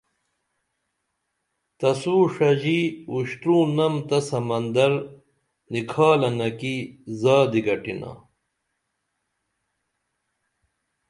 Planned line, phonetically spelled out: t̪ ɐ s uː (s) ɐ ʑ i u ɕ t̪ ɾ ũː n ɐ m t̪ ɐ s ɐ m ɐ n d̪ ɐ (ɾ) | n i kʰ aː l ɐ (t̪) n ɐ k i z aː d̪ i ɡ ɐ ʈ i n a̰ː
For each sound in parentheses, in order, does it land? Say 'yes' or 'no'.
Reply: no, yes, no

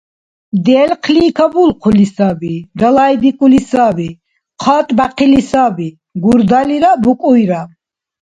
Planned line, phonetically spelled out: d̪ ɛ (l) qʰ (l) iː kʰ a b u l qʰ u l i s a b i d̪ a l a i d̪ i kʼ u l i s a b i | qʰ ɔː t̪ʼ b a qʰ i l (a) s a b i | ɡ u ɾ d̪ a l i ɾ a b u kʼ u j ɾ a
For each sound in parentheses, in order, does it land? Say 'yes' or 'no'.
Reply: yes, yes, no

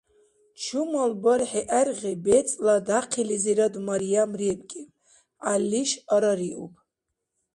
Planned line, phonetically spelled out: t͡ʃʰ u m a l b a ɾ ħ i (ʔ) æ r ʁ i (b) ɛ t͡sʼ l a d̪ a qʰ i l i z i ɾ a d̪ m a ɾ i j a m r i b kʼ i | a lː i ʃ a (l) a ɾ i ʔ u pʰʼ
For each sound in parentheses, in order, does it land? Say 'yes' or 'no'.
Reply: yes, yes, no

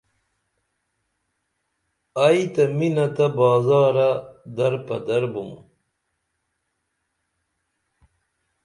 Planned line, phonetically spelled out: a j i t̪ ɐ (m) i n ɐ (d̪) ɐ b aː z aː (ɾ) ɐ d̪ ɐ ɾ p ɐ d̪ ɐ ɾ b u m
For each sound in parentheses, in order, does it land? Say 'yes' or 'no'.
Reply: yes, no, yes

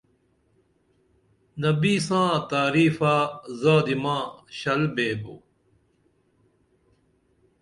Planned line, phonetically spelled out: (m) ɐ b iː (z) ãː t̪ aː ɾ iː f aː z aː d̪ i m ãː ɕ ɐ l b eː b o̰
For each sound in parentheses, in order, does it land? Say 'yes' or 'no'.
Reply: no, no

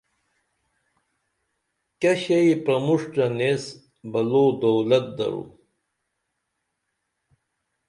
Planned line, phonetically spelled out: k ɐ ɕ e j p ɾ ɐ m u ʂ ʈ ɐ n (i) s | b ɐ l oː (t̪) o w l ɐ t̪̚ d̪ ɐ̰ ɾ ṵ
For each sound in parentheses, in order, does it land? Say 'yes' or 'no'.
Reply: no, no

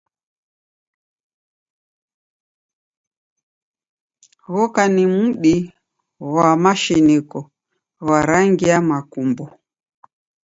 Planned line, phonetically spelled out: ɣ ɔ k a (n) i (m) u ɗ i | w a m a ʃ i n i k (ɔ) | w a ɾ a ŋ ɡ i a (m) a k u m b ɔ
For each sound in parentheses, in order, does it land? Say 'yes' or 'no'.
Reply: yes, yes, yes, yes

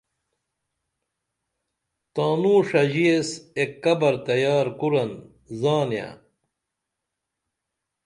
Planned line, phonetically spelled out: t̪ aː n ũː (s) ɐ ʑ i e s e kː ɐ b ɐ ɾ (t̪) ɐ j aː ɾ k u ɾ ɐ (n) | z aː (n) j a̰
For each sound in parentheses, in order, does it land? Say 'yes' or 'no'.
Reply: no, yes, yes, yes

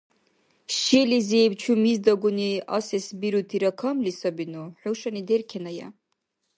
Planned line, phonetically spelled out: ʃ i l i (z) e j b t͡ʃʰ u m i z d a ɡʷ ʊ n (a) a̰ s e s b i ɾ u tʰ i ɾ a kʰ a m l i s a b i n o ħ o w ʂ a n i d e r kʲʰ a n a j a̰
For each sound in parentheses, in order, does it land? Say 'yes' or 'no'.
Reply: yes, no

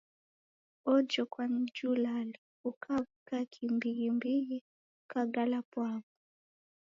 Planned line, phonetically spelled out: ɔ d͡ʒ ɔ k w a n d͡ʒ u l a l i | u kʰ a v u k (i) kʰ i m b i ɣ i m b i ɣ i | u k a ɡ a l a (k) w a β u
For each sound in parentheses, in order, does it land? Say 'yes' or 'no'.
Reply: no, no

